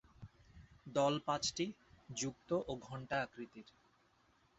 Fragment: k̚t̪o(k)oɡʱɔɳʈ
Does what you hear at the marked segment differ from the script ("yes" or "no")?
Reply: yes